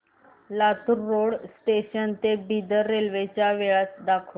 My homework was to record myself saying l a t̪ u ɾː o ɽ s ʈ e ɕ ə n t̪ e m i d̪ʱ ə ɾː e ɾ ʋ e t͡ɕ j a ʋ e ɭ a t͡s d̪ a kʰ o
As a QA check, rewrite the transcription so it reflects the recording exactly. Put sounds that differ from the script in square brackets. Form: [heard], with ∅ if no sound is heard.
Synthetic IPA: l a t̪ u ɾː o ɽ s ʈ e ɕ ə n t̪ e [b] i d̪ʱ ə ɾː e [l] ʋ e t͡ɕ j a ʋ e ɭ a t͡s d̪ a kʰ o